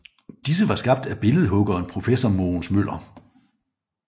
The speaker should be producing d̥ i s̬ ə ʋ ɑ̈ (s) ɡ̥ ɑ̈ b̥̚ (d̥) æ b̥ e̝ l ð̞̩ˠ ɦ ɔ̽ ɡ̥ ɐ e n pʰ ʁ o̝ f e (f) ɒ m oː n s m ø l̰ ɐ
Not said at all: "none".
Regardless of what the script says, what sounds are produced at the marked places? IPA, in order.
s, d̥, s

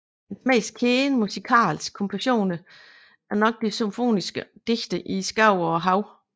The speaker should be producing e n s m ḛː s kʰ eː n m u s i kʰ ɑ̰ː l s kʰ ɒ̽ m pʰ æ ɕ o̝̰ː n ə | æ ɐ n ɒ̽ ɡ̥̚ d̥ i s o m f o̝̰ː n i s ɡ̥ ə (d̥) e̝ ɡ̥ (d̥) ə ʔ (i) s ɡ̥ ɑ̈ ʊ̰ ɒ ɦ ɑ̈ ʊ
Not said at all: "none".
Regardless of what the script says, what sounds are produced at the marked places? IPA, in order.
d̥, d̥, i

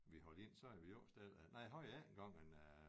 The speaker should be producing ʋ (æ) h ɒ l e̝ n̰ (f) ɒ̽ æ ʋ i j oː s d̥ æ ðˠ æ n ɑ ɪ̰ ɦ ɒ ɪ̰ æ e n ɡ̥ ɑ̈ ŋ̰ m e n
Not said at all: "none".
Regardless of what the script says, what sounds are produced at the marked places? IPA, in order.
i, s

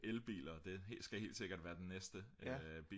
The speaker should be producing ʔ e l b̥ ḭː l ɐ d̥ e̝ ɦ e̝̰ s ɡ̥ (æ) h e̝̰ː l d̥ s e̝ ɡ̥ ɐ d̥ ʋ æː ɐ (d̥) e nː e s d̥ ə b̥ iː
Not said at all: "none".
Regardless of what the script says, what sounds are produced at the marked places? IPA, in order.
æ, d̥

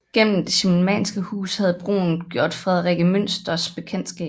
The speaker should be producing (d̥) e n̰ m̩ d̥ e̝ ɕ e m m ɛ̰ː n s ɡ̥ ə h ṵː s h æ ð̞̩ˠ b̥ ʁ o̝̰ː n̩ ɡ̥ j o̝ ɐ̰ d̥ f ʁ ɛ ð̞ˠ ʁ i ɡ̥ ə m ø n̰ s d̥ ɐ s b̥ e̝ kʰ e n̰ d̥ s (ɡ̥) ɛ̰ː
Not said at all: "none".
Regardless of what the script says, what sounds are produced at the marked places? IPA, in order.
ɡ̥, ɡ̥

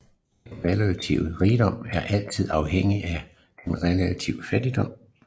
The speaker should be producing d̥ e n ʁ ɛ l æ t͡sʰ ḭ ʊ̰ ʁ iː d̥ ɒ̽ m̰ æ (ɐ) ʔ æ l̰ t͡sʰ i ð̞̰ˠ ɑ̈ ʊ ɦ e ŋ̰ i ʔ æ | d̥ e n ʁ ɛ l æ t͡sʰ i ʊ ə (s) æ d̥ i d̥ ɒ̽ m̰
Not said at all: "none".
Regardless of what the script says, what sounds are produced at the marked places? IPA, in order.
ɐ, f

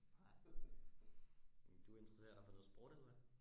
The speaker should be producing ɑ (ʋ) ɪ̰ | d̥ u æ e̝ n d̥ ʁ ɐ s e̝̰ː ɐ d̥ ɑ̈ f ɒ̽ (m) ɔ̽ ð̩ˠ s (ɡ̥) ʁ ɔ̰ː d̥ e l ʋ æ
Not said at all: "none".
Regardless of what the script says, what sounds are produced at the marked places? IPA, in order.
none, n, b̥

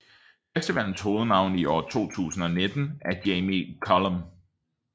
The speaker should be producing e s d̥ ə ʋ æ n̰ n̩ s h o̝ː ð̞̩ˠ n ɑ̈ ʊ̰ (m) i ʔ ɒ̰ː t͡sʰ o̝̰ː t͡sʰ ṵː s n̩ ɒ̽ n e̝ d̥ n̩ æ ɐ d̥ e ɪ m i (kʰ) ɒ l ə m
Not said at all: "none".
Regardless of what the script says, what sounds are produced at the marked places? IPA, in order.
n, kʰ

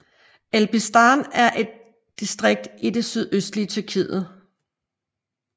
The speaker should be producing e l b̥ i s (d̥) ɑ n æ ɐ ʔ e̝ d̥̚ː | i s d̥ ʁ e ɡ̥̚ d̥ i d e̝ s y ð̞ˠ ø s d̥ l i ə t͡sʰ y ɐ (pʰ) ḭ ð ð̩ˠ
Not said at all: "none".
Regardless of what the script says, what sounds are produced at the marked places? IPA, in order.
d̥, kʰ

